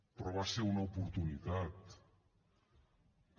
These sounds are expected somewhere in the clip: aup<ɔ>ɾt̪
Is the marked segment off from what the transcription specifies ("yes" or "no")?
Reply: yes